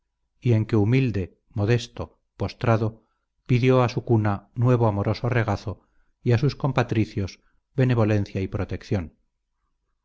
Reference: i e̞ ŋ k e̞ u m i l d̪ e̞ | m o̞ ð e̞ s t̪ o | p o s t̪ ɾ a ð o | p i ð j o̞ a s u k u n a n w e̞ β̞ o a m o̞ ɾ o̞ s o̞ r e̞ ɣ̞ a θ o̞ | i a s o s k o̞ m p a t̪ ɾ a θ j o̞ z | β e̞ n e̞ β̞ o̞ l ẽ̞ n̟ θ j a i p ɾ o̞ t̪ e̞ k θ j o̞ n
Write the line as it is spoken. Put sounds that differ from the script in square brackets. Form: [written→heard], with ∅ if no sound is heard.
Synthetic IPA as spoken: i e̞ ŋ k e̞ u m i l d̪ e̞ | m o̞ ð e̞ s t̪ o | p o s t̪ ɾ a ð o | p i ð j o̞ a s u k u n a n w e̞ β̞ o a m o̞ ɾ o̞ s o̞ r e̞ ɣ̞ a θ o̞ | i a s [o→u] s k o̞ m p a t̪ ɾ [a→i] θ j o̞ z | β e̞ n e̞ β̞ o̞ l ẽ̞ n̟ θ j a i p ɾ o̞ t̪ e̞ k θ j o̞ n

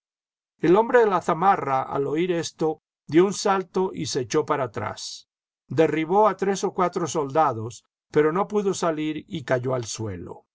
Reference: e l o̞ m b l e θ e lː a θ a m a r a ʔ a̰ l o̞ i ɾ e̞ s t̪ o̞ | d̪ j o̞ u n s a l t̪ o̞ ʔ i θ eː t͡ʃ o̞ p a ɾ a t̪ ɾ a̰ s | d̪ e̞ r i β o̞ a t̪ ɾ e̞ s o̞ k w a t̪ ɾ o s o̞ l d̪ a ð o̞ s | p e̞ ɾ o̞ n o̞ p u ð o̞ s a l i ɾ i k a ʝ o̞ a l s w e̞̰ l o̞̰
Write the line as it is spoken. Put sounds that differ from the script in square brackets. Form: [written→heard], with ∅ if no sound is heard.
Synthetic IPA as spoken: e l o̞ m b [l→ɾ] e [θ→ð] e [lː→l] a θ a m a r a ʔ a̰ l o̞ i ɾ e̞ s t̪ o̞ | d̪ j o̞ u n s a l t̪ o̞ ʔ i [θ→s] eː t͡ʃ o̞ p a ɾ a t̪ ɾ a̰ s | d̪ e̞ r i β o̞ a t̪ ɾ e̞ s o̞ k w a t̪ ɾ o s o̞ l d̪ a ð o̞ s | p e̞ ɾ o̞ n o̞ p u ð o̞ s a l i ɾ i k a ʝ o̞ a l s w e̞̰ l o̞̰

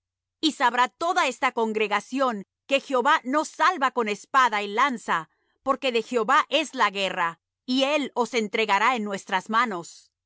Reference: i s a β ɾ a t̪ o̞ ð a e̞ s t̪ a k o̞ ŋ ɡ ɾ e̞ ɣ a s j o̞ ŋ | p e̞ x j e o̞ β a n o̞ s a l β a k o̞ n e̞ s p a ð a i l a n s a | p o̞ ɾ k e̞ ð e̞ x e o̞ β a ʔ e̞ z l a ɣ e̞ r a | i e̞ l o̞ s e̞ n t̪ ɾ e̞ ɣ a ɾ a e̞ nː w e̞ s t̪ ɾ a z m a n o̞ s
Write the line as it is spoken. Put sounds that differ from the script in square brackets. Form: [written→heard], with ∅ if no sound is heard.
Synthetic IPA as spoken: i s a β ɾ a t̪ o̞ ð a e̞ s t̪ a k o̞ ŋ ɡ ɾ e̞ ɣ a s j o̞ ŋ | [p→k] e̞ x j e o̞ β a n o̞ s a l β a k o̞ n e̞ s p a ð a i l a n s a | p o̞ ɾ k e̞ ð e̞ x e o̞ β a ʔ e̞ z l a ɣ e̞ r a | i e̞ l o̞ s e̞ n t̪ ɾ e̞ ɣ a ɾ a e̞ nː w e̞ s t̪ ɾ a z m a n o̞ s

